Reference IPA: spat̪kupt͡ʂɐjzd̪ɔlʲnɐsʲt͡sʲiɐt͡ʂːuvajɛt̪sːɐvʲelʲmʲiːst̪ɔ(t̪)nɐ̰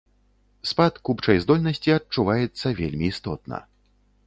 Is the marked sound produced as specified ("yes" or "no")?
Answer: yes